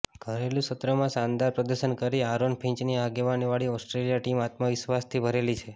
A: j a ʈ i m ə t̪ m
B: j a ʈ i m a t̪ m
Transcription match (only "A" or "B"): B